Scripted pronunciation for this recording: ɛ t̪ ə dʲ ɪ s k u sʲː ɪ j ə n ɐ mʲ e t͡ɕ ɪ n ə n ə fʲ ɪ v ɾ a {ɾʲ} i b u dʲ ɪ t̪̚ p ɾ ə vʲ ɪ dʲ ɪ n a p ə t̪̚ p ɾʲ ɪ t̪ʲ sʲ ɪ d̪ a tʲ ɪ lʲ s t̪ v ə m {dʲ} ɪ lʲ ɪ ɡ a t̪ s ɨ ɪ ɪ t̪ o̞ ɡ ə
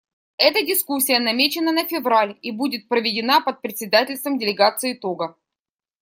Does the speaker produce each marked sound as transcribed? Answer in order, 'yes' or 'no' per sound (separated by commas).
no, yes